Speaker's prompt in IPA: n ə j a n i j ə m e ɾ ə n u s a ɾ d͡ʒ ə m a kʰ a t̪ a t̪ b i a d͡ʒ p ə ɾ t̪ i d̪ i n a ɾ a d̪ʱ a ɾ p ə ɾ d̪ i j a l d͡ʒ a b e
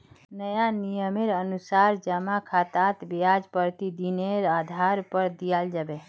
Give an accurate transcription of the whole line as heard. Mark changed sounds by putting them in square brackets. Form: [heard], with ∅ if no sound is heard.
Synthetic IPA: n ə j a n i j ə m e ɾ ə n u s a ɾ d͡ʒ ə m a kʰ a t̪ a t̪ b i a d͡ʒ p ə ɾ t̪ i d̪ i n [e] ɾ a d̪ʱ a ɾ p ə ɾ d̪ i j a l d͡ʒ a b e